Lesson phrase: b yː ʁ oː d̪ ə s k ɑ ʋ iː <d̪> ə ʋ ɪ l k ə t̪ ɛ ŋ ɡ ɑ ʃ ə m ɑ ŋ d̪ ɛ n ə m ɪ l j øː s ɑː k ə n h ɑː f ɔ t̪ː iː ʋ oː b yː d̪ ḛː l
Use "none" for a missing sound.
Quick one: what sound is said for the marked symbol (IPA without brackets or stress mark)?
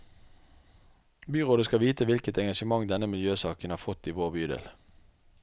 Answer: t̪